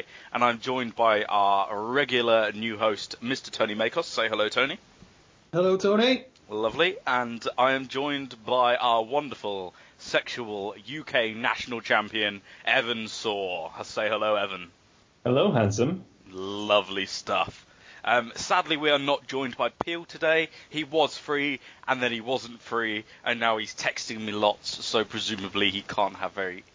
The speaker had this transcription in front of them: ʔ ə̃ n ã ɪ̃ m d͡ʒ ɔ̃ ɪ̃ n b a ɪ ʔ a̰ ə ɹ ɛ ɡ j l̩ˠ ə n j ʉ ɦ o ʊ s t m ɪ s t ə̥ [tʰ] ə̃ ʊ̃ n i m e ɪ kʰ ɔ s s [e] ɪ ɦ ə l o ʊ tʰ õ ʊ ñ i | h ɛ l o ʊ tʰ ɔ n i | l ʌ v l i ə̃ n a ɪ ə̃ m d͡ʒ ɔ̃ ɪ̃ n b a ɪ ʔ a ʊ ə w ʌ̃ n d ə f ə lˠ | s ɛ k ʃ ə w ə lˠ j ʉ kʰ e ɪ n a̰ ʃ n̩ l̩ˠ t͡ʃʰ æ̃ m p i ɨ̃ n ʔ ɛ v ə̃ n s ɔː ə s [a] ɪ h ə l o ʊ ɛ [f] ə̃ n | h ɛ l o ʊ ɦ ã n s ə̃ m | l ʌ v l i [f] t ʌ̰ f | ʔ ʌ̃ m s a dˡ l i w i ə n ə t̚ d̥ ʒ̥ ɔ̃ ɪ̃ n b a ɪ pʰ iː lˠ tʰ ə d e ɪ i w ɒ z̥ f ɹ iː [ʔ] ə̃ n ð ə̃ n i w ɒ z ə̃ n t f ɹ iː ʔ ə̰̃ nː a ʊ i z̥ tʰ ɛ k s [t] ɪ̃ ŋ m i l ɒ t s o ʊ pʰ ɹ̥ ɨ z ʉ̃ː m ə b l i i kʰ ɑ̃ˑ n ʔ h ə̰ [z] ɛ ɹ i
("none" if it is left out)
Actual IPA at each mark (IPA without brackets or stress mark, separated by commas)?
tʰ, e, e, v, s, ʔ, t, v